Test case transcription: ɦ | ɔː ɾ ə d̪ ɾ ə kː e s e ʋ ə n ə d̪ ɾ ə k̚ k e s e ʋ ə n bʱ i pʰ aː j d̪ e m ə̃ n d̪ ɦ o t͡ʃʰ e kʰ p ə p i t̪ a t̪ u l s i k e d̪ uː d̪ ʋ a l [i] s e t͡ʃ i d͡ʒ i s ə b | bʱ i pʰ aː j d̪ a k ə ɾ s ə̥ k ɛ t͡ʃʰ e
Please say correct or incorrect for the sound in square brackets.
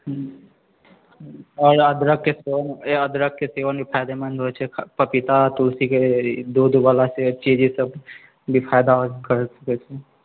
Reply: incorrect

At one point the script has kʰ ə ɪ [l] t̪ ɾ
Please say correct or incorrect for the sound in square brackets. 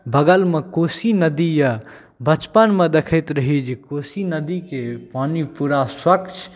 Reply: incorrect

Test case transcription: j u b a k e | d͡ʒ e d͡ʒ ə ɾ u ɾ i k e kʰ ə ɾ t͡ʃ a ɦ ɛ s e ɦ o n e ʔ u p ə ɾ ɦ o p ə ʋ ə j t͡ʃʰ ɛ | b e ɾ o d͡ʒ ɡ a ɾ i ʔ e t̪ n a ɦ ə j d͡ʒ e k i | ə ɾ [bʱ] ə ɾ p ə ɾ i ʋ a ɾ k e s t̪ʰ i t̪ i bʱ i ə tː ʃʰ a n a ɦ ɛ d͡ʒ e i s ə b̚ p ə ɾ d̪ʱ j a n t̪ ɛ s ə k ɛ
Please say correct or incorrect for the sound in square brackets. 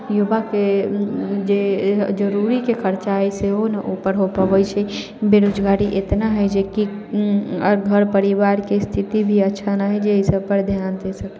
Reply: incorrect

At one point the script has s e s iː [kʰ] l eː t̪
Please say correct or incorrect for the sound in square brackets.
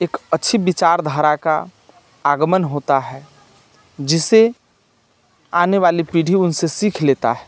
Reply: correct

